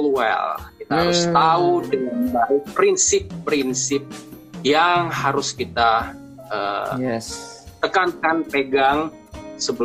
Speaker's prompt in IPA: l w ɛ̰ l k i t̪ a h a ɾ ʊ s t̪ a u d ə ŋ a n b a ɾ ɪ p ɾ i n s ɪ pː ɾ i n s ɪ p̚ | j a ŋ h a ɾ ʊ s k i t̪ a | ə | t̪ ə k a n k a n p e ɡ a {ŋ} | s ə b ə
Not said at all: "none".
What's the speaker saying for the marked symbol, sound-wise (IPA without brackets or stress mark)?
ŋ